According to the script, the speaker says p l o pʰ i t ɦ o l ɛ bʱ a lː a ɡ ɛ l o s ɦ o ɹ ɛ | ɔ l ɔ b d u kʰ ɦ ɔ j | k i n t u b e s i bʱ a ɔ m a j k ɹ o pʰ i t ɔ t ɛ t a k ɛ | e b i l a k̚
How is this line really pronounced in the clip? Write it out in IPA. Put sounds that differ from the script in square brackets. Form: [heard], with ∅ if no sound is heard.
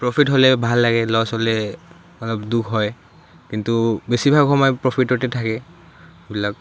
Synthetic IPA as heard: p [ɹ] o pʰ i t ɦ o l ɛ bʱ a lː a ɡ ɛ l [ɔ] s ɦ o [l] ɛ | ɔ l ɔ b d u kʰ ɦ ɔ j | k i n t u b e s i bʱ a ɔ m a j [p] ɹ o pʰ i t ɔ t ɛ [tʰ] a k ɛ | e b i l a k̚